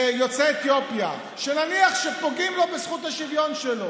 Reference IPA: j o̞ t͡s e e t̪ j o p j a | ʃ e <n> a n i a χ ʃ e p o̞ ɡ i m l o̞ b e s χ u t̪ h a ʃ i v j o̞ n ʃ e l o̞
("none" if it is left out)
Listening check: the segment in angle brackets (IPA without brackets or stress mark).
n